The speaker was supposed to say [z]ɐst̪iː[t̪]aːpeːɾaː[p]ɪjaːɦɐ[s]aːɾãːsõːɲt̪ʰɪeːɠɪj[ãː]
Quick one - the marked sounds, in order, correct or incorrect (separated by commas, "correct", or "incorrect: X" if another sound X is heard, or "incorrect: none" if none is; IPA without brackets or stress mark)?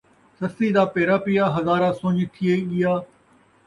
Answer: incorrect: s, incorrect: d̪, correct, incorrect: z, incorrect: aː